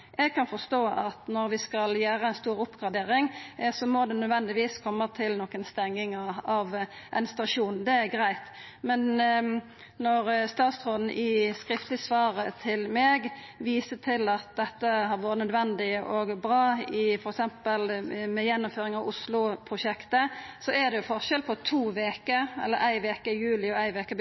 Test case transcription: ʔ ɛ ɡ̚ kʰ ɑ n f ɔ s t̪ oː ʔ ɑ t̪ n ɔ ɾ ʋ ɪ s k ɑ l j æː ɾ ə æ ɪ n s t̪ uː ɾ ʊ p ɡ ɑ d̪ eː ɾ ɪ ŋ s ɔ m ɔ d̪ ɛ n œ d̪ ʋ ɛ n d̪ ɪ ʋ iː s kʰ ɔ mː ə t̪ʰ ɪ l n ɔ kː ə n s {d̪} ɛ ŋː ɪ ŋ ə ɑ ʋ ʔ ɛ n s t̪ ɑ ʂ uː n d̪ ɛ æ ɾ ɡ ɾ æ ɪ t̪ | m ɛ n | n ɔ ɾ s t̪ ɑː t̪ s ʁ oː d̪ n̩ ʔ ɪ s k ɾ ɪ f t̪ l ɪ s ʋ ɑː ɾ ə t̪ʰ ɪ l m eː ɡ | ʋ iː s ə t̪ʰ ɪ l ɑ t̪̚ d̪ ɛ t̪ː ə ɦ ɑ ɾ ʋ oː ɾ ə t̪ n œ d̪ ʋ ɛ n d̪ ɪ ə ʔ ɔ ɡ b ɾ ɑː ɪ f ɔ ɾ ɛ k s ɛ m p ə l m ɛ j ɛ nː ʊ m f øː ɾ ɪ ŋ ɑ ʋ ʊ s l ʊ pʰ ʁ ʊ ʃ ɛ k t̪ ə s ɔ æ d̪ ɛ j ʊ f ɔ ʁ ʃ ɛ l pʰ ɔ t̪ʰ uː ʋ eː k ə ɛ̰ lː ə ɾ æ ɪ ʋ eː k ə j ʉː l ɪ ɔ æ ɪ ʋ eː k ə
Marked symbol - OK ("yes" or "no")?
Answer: no